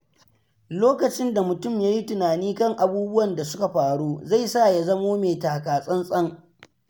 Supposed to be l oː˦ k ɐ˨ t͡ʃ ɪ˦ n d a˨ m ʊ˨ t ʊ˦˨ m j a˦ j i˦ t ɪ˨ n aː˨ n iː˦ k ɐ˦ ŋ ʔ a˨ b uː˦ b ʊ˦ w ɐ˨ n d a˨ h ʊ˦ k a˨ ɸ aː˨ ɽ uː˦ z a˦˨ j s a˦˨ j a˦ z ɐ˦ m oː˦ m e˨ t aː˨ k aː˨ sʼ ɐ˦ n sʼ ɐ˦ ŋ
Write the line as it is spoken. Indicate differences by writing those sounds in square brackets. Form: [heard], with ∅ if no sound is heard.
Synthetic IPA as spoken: l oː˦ k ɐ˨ t͡ʃ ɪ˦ n d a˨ m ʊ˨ t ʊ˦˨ m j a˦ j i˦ t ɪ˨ n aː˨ n iː˦ k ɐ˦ ŋ ʔ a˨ b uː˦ b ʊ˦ w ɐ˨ n d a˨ [s] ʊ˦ k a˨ ɸ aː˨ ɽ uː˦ z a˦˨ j s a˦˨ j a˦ z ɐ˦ m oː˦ m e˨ t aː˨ k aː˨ sʼ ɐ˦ n sʼ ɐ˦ ŋ